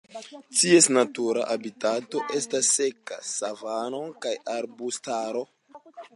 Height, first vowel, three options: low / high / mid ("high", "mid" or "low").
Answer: high